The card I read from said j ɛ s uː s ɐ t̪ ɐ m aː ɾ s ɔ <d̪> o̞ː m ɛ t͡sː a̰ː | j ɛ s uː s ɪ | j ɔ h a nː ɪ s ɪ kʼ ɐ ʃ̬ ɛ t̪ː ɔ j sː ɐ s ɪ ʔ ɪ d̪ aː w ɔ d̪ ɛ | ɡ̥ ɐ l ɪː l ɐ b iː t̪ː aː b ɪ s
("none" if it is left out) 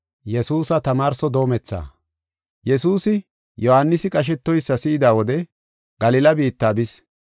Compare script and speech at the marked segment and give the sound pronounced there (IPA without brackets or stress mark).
d̪